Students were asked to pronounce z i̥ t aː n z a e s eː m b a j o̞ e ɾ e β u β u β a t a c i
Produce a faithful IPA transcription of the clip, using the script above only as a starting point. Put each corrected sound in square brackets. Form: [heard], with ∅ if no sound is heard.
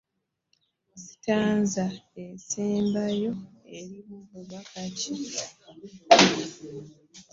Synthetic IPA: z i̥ t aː n z a e s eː m b a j o̞ e ɾ [i] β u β u β a [k] a c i

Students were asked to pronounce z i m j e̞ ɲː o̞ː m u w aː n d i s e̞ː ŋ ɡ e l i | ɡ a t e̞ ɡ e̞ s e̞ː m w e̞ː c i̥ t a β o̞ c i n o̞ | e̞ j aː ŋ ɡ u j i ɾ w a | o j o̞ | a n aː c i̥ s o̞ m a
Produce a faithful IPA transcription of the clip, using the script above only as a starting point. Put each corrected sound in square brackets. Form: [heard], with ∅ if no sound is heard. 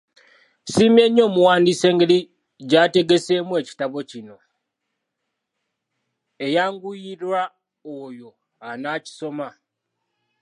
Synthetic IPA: [s] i m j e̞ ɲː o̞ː m u w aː n d i s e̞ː ŋ ɡ e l i | [ɟ] a t e̞ ɡ e̞ s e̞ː m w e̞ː c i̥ t a β o̞ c i n o̞ | e̞ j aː ŋ ɡ u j i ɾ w a | o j o̞ | a n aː c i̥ s o̞ m a

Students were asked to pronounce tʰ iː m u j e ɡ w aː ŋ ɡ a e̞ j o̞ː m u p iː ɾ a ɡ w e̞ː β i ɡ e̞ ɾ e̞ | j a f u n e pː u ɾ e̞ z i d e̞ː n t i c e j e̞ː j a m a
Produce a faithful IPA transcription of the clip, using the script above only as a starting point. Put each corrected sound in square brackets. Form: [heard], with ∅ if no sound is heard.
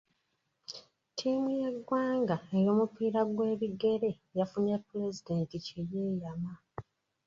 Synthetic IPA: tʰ iː m u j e ɡ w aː ŋ ɡ a e̞ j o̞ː m u p iː ɾ a ɡ w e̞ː β i ɡ e̞ ɾ e̞ | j a f u n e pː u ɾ e̞ z i d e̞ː n t i c e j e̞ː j a m a

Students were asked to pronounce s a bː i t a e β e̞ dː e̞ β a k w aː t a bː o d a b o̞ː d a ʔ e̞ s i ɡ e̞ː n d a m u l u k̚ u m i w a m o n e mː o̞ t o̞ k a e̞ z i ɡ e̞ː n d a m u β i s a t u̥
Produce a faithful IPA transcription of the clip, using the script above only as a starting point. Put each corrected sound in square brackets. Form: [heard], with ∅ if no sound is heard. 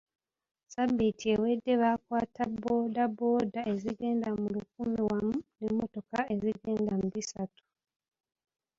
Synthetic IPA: s a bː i t [i] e [w] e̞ dː e̞ β a k w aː t a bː o d a b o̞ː d a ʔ e̞ [z] i ɡ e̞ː n d a m u l u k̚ u m i w a m [u] n e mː o̞ t o̞ k a e̞ z i ɡ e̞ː n d a m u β i s a t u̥

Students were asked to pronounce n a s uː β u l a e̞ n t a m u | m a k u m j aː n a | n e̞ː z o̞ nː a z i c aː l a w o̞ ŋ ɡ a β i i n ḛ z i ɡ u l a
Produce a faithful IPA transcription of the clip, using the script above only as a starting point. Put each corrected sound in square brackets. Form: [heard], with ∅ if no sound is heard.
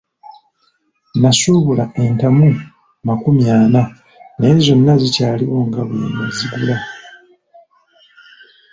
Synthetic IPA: n a s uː β u l a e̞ n t a m u | m a k u m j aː n a | n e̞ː z o̞ nː a z i c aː l [i] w o̞ ŋ ɡ a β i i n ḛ z i ɡ u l a

